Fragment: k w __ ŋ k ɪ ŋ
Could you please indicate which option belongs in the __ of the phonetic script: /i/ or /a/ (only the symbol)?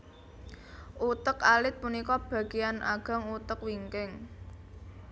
i